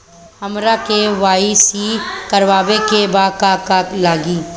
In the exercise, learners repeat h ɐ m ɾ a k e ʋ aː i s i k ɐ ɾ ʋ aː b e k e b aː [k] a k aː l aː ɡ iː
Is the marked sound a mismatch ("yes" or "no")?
no